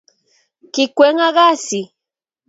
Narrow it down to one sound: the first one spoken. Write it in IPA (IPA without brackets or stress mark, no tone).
k